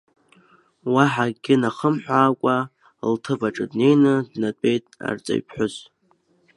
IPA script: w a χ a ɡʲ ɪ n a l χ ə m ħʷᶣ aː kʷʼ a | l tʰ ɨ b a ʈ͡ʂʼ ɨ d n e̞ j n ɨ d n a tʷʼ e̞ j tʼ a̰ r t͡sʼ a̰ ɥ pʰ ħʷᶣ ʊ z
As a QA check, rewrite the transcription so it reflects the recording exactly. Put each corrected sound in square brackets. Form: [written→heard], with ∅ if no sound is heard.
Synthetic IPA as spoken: w a [χ→ħ] a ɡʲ ɪ n a [l→∅] χ ə m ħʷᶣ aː kʷʼ a | l tʰ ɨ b a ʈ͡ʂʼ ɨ d n e̞ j n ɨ d n a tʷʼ e̞ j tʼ a̰ r t͡sʼ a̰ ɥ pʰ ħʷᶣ ʊ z